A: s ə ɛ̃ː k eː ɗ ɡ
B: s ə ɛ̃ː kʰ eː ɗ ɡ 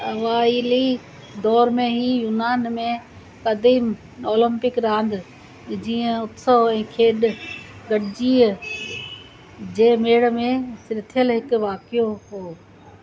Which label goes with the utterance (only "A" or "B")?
B